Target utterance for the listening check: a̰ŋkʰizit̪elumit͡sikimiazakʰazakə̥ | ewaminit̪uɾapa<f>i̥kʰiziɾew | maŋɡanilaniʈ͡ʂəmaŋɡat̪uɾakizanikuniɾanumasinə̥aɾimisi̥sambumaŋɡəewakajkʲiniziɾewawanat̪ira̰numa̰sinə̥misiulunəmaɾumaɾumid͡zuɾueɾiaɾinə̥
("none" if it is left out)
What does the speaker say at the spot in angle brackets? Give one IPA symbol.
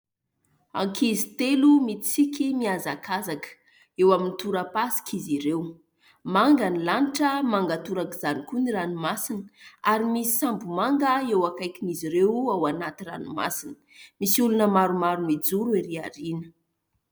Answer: s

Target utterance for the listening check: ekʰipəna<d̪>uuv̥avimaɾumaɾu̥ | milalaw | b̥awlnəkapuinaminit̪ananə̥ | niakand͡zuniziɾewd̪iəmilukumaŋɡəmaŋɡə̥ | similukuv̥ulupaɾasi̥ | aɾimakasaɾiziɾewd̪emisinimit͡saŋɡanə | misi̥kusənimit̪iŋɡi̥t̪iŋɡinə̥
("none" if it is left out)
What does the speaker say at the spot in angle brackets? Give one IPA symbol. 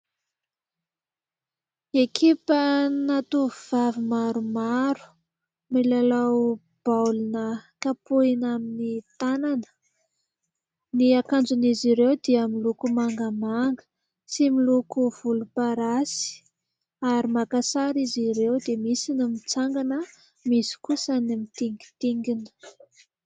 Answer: t̪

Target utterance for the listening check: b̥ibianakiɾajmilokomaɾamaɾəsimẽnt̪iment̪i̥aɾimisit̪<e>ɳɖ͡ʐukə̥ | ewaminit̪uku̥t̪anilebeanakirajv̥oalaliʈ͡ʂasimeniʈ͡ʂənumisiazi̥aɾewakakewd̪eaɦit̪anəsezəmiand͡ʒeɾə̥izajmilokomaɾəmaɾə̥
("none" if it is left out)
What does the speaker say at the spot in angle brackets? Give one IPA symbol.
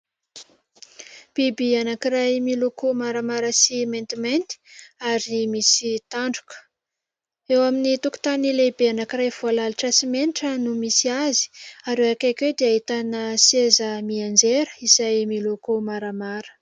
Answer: a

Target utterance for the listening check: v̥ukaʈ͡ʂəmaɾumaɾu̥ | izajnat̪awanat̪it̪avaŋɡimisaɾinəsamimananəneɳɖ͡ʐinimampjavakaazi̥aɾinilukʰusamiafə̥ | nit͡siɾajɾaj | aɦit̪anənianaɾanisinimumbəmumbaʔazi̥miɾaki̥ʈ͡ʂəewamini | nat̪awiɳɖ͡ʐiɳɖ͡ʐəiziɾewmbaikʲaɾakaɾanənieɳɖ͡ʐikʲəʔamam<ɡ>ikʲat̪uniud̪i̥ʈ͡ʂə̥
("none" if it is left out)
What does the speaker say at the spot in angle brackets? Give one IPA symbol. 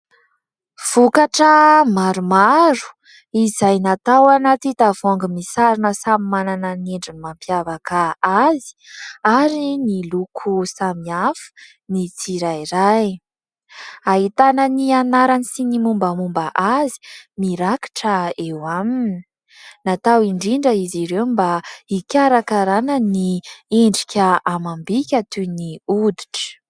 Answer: b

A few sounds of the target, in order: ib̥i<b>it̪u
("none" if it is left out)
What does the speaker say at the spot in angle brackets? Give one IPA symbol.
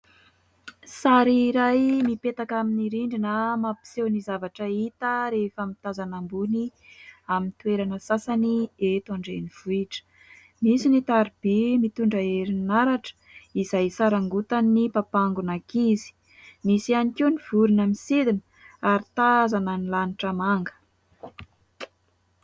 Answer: m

